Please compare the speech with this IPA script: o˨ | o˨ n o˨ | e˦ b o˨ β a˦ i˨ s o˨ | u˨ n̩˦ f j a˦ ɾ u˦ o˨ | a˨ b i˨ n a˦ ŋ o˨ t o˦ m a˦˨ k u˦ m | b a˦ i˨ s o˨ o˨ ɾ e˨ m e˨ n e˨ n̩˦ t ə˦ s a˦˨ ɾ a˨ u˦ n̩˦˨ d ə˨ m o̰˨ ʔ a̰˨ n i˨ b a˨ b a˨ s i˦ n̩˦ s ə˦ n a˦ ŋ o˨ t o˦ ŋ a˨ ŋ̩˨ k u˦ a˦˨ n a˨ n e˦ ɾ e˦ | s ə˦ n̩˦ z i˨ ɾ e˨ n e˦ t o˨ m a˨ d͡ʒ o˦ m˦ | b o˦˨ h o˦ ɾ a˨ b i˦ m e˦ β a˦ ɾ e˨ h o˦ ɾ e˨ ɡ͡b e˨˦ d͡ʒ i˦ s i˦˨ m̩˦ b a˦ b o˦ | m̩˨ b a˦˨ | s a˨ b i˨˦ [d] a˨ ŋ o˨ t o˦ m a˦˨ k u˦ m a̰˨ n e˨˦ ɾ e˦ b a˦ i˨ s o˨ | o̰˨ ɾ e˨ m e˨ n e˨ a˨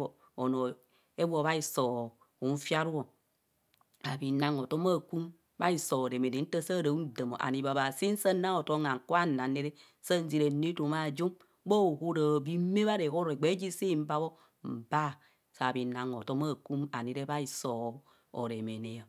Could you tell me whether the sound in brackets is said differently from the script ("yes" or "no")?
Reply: yes